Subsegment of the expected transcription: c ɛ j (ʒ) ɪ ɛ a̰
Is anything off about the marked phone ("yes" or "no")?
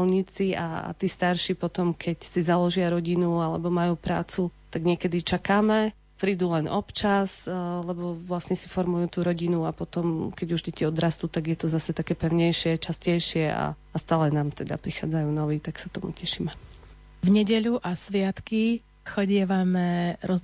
yes